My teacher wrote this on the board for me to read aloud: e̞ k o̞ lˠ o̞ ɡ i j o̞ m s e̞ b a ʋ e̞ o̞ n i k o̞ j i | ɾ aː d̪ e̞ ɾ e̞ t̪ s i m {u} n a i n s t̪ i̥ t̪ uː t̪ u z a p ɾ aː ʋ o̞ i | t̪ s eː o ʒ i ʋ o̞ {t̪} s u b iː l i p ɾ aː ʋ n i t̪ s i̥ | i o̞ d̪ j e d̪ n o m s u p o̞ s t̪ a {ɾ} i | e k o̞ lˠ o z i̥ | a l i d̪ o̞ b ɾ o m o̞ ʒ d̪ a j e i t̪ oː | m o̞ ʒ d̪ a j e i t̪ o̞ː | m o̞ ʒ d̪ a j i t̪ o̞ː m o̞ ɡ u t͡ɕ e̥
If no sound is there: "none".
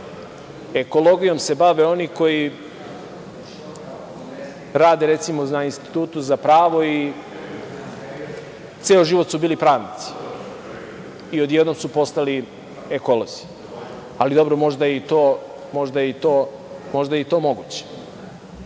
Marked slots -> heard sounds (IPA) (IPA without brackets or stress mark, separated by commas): o, t̪, l